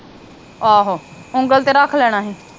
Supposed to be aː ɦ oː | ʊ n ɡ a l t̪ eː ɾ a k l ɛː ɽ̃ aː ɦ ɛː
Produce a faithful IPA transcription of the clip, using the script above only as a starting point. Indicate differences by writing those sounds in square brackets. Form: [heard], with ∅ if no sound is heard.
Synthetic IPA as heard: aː ɦ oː | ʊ [ŋ] ɡ [ə] l t̪ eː ɾ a [kʰ] l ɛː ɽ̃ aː ɦ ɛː